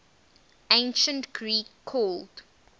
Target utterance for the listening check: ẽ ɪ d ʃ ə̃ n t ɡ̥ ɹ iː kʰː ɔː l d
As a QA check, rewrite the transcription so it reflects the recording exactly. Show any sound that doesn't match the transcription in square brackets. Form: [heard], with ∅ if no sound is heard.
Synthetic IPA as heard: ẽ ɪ [n] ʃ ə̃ n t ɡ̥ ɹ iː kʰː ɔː l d